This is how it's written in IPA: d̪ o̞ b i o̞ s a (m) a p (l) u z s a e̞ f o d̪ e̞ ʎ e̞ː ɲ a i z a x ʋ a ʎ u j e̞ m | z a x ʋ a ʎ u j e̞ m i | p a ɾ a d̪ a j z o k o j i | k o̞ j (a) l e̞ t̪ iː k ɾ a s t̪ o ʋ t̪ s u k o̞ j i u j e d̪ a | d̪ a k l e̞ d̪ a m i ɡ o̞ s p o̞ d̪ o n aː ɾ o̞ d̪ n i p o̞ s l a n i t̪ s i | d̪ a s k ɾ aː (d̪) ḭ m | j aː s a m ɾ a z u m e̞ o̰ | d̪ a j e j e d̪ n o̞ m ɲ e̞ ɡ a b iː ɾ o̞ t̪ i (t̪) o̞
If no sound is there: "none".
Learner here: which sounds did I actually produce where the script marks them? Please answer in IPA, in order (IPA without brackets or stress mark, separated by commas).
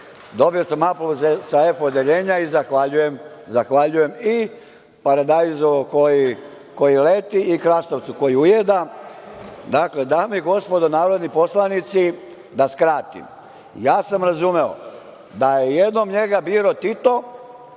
m, l, i, t̪, t̪